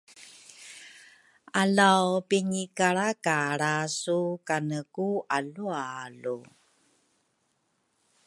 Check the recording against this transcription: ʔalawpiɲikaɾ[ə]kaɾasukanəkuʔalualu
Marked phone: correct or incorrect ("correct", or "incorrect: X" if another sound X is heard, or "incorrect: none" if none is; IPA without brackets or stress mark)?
incorrect: a